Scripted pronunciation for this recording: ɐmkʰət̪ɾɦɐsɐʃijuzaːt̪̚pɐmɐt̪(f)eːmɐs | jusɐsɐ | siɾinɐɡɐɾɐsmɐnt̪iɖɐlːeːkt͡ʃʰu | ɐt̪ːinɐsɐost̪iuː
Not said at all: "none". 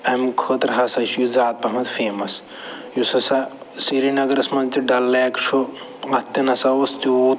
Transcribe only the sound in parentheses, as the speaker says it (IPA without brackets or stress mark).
f